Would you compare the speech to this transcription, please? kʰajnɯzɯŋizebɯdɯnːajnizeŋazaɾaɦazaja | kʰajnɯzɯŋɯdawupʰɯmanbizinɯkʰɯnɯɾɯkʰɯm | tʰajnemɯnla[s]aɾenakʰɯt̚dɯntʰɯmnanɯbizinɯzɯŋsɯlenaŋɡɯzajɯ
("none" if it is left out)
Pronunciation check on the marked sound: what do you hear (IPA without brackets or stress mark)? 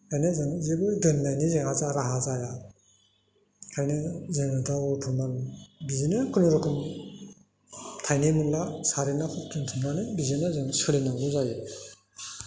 s